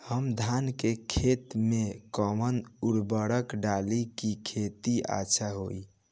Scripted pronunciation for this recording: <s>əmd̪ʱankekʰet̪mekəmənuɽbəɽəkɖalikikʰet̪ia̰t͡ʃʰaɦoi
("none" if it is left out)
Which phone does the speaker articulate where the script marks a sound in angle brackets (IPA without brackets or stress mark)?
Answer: h